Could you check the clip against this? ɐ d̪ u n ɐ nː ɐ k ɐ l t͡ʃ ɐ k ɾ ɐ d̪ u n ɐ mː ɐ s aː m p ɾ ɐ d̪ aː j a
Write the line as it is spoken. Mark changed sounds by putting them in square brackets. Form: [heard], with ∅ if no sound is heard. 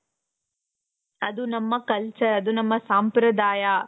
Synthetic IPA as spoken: ɐ d̪ u n ɐ [mː] ɐ k ɐ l t͡ʃ ɐ [∅] ɾ ɐ d̪ u n ɐ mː ɐ s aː m p ɾ ɐ d̪ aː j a